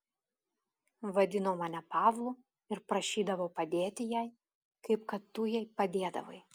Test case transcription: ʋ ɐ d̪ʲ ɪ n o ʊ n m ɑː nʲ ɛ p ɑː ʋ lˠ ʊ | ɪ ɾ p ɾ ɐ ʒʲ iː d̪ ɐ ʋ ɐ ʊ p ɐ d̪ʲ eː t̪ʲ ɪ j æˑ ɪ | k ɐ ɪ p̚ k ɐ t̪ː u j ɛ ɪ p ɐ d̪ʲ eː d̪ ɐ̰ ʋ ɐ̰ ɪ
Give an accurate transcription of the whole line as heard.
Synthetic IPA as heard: ʋ ɐ d̪ʲ ɪ n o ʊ m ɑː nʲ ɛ p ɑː ʋ lˠ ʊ | ɪ ɾ p ɾ ɐ ʃʲ iː d̪ ɐ ʋ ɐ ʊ p ɐ d̪ʲ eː t̪ʲ ɪ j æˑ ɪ | k ɐ ɪ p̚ k ɐ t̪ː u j ɛ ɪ p ɐ d̪ʲ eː d̪ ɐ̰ ʋ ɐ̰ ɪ